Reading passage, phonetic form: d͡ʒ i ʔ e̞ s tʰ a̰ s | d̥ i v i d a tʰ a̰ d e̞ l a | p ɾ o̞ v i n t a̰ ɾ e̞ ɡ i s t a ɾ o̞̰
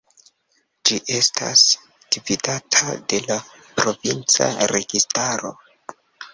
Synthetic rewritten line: d͡ʒ i ʔ e̞ s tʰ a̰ s | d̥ i v i d a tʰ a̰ d e̞ l a | p ɾ o̞ v i n t͡s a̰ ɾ e̞ ɡ i s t a ɾ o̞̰